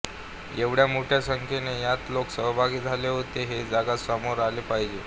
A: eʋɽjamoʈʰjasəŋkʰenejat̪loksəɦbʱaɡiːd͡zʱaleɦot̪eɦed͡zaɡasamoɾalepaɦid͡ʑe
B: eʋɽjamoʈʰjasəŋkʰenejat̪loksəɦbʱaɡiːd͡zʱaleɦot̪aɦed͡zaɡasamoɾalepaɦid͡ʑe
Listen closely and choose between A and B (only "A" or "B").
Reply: A